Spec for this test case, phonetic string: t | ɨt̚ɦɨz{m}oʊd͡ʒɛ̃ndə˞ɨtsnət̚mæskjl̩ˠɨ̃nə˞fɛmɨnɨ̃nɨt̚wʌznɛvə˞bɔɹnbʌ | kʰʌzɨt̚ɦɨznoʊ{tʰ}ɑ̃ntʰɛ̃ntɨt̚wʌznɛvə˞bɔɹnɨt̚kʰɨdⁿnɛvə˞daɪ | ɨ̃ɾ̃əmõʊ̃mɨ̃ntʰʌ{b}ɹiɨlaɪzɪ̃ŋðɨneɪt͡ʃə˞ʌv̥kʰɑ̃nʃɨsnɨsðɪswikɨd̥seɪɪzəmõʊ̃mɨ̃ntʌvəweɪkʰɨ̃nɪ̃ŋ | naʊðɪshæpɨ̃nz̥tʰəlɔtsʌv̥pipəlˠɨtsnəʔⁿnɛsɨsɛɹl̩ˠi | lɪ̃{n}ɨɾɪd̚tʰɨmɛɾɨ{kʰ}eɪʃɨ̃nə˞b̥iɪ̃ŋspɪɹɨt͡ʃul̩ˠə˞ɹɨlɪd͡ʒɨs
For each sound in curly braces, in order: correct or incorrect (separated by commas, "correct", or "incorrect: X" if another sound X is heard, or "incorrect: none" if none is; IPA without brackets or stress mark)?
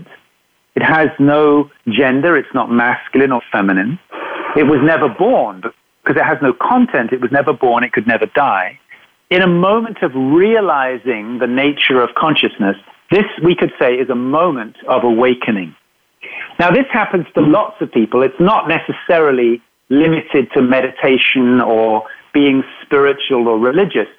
incorrect: n, incorrect: kʰ, incorrect: v, incorrect: m, incorrect: tʰ